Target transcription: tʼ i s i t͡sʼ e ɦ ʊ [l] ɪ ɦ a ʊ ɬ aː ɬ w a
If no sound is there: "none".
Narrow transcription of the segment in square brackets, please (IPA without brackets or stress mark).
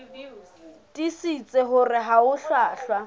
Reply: r